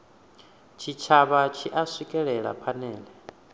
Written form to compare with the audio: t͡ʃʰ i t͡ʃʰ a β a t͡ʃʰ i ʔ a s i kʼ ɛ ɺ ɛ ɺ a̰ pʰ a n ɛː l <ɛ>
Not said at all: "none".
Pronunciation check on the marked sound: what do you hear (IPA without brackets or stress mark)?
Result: ɛ